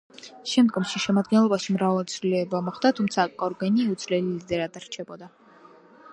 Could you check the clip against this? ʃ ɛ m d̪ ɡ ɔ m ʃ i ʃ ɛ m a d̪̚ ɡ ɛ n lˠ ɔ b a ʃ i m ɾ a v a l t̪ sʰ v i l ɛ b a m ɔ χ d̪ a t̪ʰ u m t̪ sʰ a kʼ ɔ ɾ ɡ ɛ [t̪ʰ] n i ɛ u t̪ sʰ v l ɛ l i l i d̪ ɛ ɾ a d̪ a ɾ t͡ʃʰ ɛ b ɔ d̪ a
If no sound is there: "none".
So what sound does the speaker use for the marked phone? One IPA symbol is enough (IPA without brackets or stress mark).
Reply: none